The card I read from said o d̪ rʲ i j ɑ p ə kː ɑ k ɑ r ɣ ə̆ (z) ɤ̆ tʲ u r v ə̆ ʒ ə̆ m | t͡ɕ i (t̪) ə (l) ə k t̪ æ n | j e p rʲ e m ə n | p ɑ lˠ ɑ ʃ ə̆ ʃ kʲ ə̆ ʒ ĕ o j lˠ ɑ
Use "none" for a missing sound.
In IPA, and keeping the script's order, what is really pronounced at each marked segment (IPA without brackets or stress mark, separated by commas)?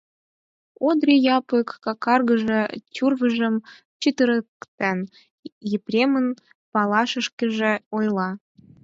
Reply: ʒ, t̪, ɾ